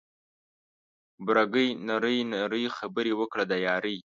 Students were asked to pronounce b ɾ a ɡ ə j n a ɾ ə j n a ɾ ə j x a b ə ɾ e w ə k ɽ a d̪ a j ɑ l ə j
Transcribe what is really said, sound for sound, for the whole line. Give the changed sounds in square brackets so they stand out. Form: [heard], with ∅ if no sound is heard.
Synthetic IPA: b ɾ a ɡ ə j n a ɾ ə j n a ɾ ə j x a b ə ɾ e w ə k ɽ a d̪ a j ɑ [ɾ] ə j

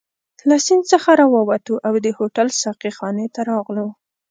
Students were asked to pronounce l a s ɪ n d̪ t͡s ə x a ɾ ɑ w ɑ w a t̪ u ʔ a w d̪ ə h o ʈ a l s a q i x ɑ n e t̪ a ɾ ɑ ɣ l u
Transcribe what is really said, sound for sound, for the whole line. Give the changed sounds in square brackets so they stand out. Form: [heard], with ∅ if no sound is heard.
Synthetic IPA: l a s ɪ n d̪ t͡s ə x a ɾ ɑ w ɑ w a t̪ u ʔ a w d̪ ə h o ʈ a l s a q i x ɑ n e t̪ a ɾ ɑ ɣ l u

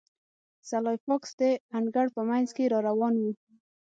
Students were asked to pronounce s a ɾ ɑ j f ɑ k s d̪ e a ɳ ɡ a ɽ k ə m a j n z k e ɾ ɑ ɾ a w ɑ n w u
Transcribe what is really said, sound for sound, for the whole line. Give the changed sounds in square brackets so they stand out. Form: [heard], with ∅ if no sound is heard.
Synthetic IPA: s a [l] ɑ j f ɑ k s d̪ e a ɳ ɡ a ɽ [p] ə m a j n z k e ɾ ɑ ɾ a w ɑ n w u

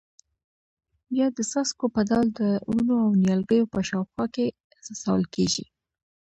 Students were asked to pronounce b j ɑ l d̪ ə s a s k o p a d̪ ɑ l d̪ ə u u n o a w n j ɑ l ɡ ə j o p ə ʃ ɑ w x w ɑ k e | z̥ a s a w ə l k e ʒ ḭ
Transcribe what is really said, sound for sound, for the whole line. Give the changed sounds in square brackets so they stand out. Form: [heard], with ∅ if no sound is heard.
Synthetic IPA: b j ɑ [∅] d̪ ə s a s k o p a d̪ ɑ l d̪ ə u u n o a w n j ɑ l ɡ ə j o p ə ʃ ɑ w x w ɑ k e | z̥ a s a w ə l k e ʒ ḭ

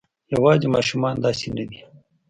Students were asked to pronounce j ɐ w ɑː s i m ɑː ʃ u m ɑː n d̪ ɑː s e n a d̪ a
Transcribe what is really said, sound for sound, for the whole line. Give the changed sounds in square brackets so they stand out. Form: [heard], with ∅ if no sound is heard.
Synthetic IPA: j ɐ w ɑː [z] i m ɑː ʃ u m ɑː n d̪ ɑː s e n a d̪ [i]

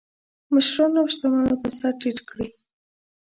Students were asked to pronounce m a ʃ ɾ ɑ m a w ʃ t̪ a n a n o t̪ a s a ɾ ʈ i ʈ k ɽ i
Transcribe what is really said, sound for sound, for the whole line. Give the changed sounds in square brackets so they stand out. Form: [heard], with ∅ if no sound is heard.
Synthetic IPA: m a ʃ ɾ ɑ [n] a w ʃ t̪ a [m] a n o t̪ a s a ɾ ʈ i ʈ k ɽ i

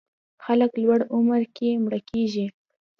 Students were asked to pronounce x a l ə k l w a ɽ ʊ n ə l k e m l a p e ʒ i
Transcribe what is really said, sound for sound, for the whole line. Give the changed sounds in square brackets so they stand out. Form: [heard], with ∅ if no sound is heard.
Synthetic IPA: x a l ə k l w a ɽ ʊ [m] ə [ɾ] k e m [ɽ] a [k] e ʒ i

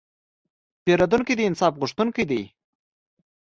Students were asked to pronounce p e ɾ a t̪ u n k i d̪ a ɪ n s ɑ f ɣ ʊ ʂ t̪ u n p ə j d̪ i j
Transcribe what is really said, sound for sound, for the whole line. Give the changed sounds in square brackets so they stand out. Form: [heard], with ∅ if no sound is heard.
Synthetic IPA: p e ɾ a [d̪] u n k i d̪ [ə] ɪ n s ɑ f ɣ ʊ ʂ t̪ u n [k] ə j d̪ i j

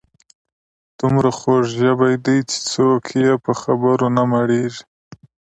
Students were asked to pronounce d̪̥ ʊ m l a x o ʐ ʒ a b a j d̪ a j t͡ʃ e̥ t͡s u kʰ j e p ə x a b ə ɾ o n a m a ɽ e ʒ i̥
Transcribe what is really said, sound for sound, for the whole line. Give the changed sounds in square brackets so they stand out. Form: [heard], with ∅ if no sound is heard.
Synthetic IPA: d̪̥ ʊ m [ɾ] a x o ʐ ʒ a b a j d̪ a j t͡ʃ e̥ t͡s [o] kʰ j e p ə x a b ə ɾ o n a m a ɽ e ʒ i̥

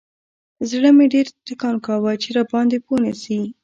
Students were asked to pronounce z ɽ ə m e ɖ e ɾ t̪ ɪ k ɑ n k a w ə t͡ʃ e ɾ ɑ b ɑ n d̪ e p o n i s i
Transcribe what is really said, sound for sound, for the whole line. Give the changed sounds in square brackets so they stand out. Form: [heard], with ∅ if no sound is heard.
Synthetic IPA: z ɽ ə m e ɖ e ɾ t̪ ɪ k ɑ n k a w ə t͡ʃ e ɾ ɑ b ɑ n d̪ e p o n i s i

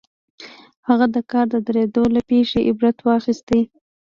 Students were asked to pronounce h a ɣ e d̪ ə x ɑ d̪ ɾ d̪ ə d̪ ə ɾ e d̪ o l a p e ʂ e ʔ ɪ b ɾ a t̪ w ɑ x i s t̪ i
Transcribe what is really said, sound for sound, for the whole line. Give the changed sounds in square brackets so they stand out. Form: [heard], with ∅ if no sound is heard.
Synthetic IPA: h a ɣ [a] d̪ ə [k] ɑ [∅] ɾ d̪ ə d̪ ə ɾ e d̪ o l a p e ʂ e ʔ ɪ b ɾ a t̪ w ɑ x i s t̪ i

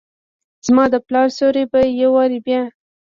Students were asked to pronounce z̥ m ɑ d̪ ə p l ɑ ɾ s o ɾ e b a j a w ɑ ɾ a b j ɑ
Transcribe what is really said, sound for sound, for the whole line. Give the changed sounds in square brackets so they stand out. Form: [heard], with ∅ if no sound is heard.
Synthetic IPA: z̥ m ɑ d̪ ə p l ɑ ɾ s o ɾ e b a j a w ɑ ɾ [i] b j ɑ

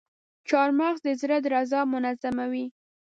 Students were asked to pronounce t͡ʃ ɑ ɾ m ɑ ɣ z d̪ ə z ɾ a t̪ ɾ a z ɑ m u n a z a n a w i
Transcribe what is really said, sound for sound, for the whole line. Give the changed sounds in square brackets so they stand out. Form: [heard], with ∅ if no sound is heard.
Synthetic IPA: t͡ʃ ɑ ɾ m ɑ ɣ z d̪ ə z ɾ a [d̪] ɾ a z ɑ m [ʊ] n a z a [m] a w i

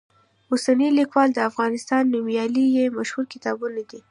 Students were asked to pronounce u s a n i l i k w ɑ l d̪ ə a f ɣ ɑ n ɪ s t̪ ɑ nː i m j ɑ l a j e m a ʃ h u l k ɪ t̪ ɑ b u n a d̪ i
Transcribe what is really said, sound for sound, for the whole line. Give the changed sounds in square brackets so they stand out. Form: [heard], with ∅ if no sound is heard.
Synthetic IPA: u s a n i l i k w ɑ l d̪ ə a f ɣ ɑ n ɪ s t̪ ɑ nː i m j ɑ l [i] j e m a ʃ h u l k ɪ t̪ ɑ b u n a d̪ i

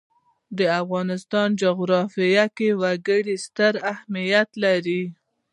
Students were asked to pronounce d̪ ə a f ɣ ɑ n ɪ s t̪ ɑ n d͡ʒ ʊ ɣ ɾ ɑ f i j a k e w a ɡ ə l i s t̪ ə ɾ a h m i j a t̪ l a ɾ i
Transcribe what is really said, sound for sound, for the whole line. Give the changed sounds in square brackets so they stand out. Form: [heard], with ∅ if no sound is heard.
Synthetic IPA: d̪ ə a f ɣ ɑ n ɪ s t̪ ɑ n d͡ʒ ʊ ɣ ɾ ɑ f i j a k e w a ɡ ə [ɽ] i s t̪ ə ɾ a h m i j a t̪ l a ɾ i

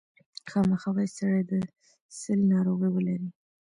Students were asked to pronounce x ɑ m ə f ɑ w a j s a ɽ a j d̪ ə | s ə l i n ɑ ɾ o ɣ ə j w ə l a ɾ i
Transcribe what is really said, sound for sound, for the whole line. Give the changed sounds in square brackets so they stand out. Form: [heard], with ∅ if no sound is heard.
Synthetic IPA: x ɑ m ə [x] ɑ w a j s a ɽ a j d̪ ə | s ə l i n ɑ ɾ o ɣ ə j w ə l a ɾ i

